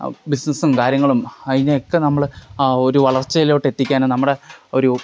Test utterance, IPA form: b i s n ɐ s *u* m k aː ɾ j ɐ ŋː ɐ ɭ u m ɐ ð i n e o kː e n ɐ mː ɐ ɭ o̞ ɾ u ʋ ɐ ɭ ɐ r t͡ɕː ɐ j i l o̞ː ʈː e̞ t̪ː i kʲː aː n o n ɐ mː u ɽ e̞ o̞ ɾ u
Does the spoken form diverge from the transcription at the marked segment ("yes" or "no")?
no